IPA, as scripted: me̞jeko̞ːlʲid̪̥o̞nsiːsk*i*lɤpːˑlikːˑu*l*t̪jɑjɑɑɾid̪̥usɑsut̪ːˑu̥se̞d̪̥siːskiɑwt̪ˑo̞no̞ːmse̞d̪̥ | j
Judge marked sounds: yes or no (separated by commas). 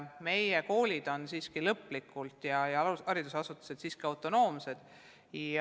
yes, yes